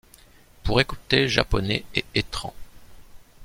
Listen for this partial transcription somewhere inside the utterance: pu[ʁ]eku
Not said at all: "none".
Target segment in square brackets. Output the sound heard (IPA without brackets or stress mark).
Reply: ʁ